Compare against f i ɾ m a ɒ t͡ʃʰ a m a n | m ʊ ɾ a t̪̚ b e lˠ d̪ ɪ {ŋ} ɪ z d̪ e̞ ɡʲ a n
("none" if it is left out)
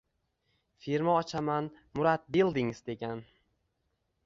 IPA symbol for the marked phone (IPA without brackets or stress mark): ŋ